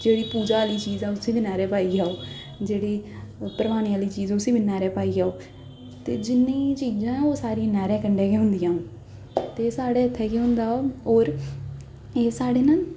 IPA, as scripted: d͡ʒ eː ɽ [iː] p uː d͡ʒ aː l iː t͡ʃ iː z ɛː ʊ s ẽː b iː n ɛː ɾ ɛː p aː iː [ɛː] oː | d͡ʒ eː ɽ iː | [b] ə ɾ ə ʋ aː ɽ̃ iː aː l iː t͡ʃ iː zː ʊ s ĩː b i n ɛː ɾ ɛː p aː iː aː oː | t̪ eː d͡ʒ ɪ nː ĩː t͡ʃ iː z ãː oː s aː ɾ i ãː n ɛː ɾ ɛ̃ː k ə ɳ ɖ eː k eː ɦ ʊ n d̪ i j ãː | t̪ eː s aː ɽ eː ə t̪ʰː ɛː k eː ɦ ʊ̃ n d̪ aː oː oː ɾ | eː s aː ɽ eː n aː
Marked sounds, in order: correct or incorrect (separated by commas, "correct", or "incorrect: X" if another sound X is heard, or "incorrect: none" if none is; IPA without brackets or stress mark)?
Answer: correct, incorrect: aː, incorrect: p